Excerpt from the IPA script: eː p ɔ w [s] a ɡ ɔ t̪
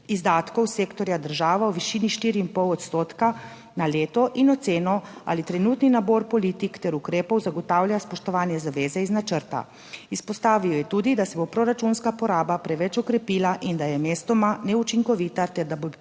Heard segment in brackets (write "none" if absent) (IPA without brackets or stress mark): z